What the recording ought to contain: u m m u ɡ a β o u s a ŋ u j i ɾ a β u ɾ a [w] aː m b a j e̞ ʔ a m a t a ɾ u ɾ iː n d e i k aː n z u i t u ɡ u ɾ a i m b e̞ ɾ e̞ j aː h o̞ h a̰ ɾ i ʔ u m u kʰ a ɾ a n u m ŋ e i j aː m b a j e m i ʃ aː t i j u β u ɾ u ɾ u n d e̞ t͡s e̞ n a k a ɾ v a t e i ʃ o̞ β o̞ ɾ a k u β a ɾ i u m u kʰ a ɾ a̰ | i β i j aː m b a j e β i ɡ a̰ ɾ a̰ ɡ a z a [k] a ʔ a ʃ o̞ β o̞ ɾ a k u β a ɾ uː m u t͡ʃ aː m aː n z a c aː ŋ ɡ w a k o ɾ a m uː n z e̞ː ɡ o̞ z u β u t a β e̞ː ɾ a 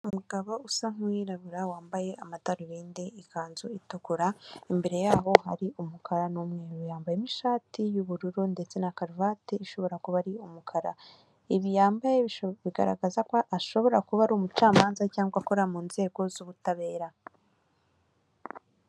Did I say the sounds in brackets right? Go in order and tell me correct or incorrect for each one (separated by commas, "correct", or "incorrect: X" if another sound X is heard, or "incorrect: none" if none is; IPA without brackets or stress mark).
correct, correct